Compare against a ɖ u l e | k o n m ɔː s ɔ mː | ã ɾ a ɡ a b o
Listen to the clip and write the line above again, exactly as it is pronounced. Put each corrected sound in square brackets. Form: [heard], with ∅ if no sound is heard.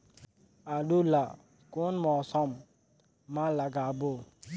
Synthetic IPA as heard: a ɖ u l [a] | k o n m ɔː s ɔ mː | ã [l] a ɡ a b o